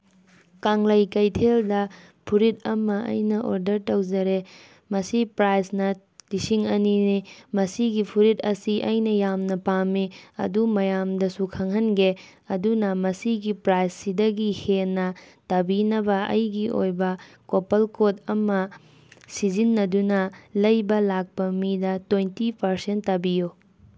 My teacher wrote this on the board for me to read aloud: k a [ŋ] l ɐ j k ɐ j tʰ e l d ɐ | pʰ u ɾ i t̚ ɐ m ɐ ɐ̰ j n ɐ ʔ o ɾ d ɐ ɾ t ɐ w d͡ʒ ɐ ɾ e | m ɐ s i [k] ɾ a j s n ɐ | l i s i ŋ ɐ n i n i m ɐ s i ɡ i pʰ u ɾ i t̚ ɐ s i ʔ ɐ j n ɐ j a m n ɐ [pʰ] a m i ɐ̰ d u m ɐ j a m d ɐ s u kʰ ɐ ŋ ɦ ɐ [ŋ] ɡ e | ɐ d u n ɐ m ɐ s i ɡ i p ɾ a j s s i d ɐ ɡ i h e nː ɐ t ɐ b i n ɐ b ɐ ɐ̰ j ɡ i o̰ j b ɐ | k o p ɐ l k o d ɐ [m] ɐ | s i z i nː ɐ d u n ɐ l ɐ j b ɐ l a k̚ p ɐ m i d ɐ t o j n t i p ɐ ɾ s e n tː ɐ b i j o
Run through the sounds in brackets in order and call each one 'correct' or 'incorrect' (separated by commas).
correct, incorrect, incorrect, incorrect, correct